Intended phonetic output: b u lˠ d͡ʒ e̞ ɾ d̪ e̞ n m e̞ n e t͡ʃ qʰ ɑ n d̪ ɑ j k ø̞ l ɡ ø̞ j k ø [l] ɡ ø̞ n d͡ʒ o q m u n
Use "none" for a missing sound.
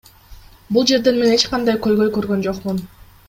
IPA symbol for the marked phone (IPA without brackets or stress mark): ɾ